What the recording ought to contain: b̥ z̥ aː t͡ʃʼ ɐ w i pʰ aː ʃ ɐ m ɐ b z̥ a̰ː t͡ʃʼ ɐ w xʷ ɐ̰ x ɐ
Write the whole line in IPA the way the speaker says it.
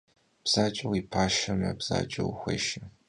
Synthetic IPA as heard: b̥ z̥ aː t͡ʃʼ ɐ w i pʰ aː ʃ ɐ m ɐ b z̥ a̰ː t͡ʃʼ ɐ w xʷ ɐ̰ ʃ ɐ